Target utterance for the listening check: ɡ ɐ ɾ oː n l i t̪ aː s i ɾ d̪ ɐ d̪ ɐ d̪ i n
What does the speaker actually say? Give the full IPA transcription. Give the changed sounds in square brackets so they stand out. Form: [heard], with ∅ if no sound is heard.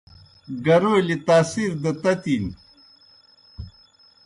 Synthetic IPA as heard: ɡ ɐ ɾ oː [∅] l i t̪ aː s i ɾ d̪ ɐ [t̪] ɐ [t̪] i n